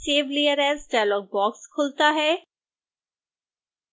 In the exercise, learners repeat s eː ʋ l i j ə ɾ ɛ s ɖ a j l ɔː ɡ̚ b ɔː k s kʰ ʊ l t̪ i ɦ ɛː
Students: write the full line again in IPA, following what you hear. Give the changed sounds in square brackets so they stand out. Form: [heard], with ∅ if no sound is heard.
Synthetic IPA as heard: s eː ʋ l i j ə ɾ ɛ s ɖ a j l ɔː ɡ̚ b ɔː k s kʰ ʊ l t̪ [a] ɦ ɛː